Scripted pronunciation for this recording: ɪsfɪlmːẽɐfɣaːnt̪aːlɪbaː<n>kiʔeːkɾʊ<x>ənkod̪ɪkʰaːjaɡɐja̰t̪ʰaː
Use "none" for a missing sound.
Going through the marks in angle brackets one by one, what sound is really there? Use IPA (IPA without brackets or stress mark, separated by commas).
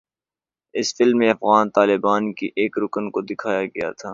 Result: n, k